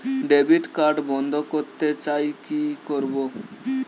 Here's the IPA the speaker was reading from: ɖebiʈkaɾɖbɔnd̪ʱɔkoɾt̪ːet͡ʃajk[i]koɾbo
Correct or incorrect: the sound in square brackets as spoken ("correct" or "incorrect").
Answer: correct